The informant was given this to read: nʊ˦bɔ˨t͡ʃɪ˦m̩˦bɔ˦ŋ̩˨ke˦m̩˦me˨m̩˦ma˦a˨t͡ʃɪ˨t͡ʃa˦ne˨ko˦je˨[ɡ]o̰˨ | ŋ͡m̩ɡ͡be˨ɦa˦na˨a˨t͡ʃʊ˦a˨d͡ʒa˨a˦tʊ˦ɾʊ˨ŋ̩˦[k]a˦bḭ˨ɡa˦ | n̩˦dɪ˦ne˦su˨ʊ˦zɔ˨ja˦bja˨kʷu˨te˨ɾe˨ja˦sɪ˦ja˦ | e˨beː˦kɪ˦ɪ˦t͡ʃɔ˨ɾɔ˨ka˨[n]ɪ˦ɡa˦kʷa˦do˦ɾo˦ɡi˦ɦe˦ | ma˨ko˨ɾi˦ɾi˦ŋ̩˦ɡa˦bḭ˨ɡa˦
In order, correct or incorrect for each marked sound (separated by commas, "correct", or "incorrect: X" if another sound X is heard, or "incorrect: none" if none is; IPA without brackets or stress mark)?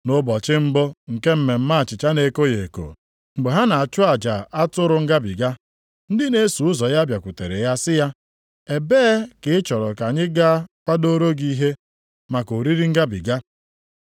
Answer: incorrect: k, incorrect: ɡ, incorrect: ɲ